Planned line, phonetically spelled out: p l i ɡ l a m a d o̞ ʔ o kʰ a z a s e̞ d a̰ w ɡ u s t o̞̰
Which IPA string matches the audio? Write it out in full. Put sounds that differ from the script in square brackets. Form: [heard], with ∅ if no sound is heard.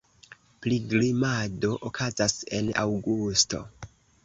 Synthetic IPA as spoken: p l i ɡ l [i] m a d o̞ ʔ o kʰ a z a s e̞ [n] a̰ w ɡ u s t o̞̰